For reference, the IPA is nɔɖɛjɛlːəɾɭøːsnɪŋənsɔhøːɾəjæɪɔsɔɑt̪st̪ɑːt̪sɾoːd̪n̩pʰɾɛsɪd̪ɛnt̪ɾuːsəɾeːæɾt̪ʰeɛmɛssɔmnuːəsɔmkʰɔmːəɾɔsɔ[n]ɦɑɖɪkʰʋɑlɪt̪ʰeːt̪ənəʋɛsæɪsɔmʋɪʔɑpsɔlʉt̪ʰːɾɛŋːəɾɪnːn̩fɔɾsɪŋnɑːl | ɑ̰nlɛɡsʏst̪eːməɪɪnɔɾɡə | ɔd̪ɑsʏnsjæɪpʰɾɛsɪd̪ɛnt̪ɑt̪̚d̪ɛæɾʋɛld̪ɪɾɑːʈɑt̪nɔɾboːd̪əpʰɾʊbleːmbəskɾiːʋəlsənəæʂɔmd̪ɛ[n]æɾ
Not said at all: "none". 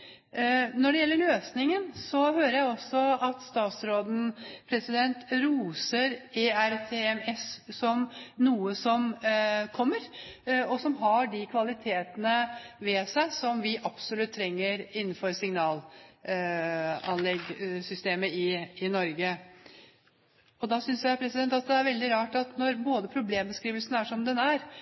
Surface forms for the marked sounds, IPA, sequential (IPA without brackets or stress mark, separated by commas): m, n